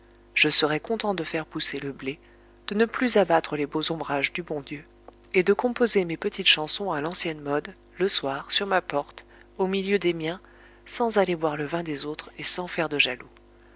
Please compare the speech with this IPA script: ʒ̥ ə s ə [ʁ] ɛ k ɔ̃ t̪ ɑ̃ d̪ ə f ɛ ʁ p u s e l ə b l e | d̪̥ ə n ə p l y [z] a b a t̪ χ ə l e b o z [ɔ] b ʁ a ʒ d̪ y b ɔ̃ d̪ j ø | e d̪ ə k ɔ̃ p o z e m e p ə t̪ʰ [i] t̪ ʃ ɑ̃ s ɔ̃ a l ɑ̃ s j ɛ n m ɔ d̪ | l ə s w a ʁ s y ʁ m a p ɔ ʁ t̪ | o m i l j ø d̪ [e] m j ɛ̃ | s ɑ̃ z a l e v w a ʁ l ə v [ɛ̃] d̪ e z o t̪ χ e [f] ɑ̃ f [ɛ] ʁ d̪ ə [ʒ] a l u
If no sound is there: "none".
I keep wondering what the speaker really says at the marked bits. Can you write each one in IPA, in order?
ʁ, z, ɔ̃, i, e, ɛ̃, s, ɛ, ʒ

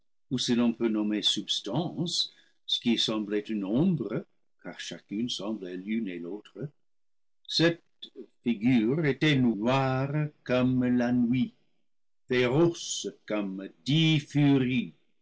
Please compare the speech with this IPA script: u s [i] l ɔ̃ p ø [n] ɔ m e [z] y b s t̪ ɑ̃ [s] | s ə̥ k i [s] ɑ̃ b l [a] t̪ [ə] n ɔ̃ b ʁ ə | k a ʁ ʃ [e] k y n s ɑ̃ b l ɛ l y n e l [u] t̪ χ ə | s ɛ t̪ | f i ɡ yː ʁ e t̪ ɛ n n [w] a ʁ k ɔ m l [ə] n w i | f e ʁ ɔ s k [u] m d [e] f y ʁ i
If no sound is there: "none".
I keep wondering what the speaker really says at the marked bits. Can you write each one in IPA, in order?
i, n, s, s, s, ɛ, ə, a, o, w, a, ɔ, i

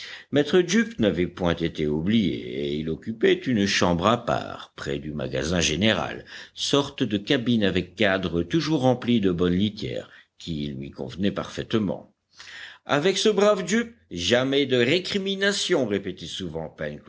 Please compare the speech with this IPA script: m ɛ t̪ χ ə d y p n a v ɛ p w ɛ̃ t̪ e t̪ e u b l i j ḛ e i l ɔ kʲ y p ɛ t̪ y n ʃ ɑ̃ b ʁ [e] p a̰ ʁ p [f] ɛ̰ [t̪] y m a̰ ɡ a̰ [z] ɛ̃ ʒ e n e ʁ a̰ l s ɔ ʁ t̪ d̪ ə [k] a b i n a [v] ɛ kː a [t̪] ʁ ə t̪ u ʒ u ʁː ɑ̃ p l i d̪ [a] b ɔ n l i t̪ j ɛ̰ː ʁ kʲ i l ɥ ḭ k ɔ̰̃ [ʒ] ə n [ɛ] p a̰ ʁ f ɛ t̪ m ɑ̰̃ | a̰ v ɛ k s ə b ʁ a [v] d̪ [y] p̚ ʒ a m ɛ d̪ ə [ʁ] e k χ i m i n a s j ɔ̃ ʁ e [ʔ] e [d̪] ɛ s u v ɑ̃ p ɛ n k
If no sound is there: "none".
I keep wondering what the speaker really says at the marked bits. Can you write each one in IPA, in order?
a, χ, d̪, z, k, v, d̪, ə, v, ɛ, v, y, ʁ, p, t̪

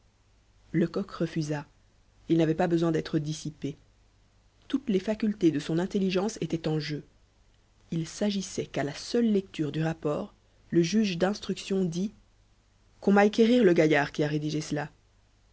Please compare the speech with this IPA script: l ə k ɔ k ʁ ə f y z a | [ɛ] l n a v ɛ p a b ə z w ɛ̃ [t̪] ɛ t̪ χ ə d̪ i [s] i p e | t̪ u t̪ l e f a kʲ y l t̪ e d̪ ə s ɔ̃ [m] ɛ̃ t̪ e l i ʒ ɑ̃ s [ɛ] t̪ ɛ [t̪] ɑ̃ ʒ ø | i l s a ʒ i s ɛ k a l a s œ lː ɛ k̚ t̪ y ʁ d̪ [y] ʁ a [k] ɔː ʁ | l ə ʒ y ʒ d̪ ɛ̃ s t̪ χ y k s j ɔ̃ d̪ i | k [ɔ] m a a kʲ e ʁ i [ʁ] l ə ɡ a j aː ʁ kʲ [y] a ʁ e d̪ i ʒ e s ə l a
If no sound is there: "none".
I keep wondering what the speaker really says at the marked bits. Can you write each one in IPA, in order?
i, d̪, s, n, e, t̪, y, p, ɔ̃, ʁ, i

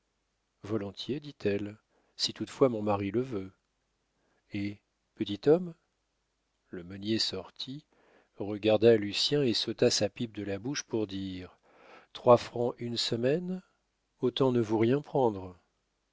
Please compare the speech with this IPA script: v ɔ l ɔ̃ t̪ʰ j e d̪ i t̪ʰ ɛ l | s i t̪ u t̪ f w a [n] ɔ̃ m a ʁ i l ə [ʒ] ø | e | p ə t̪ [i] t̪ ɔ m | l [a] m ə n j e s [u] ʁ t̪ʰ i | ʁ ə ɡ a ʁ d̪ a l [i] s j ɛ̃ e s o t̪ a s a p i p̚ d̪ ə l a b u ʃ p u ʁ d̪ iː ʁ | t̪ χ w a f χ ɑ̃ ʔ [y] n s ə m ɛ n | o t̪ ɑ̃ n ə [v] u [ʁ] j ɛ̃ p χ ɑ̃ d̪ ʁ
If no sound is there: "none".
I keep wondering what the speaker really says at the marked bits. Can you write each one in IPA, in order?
m, v, i, ə, ɔ, y, y, v, ʁ

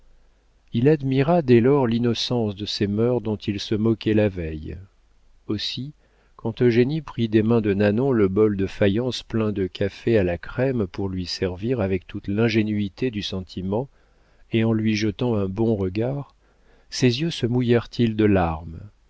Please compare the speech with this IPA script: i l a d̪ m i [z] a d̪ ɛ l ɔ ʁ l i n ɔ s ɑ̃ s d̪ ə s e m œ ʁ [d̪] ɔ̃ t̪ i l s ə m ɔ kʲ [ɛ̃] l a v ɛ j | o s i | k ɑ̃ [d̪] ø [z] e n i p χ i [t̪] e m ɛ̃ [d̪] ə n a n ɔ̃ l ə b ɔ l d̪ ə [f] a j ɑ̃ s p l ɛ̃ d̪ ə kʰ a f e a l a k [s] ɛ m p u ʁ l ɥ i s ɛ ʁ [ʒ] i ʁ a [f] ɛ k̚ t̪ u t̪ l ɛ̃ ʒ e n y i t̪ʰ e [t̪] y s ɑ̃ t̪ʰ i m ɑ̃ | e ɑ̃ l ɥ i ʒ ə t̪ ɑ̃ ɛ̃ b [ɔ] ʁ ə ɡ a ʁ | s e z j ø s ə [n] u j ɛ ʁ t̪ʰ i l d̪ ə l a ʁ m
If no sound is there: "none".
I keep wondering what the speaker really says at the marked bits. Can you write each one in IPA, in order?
ʁ, d̪, ɛ, t̪, ʒ, d̪, d̪, f, χ, v, v, d̪, ɔ̃, m

